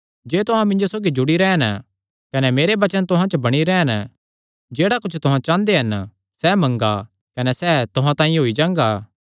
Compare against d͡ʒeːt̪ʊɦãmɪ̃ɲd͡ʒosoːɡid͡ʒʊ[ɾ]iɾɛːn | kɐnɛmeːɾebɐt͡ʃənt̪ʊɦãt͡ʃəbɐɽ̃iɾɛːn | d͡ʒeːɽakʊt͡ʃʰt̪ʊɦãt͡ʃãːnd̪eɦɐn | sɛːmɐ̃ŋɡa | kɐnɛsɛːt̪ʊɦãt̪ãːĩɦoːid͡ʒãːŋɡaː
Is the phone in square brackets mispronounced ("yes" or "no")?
yes